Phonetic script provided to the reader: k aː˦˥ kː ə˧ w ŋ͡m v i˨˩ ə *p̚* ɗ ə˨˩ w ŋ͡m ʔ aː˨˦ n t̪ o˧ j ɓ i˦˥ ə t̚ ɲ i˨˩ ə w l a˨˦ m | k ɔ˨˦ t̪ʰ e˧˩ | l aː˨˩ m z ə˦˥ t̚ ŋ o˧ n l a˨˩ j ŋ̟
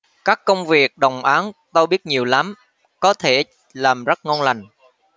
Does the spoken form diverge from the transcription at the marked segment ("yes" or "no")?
yes